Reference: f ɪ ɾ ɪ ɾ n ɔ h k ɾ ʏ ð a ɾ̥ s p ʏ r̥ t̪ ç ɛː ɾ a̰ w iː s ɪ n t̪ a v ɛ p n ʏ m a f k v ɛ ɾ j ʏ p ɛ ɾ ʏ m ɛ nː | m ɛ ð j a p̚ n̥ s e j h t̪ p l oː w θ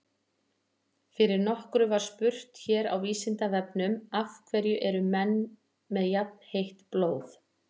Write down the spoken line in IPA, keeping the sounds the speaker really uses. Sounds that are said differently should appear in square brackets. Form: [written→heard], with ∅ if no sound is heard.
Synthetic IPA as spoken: f ɪ ɾ ɪ ɾ n ɔ h k ɾ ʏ [ð→v] a ɾ̥ s p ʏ r̥ t̪ ç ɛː ɾ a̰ w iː s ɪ n t̪ a v ɛ p n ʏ m a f [k→kʰ] v ɛ ɾ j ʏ [p→ʔ] ɛ ɾ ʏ m ɛ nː | m ɛ ð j a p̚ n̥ [s→h] e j h t̪ p l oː w θ